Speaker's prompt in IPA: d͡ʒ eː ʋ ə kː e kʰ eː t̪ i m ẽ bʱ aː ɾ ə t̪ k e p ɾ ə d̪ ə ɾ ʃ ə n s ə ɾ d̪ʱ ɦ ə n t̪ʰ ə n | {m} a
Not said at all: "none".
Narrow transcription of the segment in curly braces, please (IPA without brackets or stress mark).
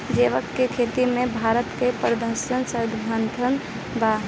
b